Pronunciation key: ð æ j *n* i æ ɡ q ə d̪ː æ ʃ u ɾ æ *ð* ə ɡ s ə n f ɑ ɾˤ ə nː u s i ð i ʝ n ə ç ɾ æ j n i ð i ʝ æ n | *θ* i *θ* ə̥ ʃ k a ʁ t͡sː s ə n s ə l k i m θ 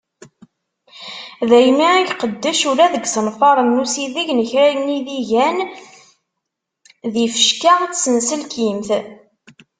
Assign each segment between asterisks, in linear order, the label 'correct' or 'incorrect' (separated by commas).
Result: incorrect, correct, incorrect, incorrect